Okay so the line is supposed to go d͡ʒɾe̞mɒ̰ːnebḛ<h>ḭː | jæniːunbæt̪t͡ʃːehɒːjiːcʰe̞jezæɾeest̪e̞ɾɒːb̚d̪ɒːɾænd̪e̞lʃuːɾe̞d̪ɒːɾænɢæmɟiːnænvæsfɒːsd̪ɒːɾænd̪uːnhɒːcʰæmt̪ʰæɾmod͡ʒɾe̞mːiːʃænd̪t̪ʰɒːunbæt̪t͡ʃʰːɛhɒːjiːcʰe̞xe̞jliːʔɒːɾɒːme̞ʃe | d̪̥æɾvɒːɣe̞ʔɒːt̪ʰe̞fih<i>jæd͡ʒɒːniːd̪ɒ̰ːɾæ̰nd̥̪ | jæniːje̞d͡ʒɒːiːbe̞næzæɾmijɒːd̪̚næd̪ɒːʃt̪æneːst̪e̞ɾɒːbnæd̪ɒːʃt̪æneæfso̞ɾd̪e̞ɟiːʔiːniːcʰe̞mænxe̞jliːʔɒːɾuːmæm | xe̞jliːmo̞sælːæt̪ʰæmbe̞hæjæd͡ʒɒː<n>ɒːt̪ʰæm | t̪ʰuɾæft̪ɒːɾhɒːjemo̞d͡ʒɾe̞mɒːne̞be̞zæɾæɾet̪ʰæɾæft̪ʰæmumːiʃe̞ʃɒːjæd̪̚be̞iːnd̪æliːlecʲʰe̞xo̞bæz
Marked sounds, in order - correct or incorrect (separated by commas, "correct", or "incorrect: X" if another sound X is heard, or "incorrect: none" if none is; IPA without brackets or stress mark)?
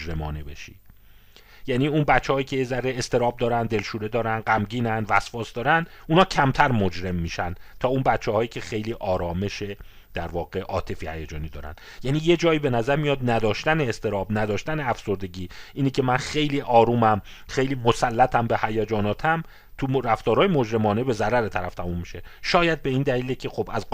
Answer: incorrect: ʃ, incorrect: æ, correct